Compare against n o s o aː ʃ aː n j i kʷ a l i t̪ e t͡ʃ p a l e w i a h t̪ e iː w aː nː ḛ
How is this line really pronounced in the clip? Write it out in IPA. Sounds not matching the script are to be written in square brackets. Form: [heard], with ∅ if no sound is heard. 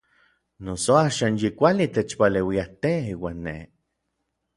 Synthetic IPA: n o s o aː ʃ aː n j i kʷ a l i t̪ e t͡ʃ p a l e w i a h t̪ e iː w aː nː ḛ